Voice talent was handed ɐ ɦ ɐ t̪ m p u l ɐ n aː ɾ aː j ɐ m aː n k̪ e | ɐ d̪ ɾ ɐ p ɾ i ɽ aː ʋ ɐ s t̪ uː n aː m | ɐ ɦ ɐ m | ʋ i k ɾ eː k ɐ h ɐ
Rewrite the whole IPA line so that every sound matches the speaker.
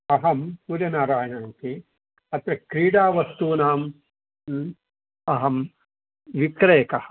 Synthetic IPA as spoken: ɐ ɦ ɐ m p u ɾ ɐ n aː ɾ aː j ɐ n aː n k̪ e | ɐ t̪ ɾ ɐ k ɾ iː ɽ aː ʋ ɐ s t̪ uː n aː m | ɐ ɦ ɐ m | ʋ i k ɾ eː k ɐ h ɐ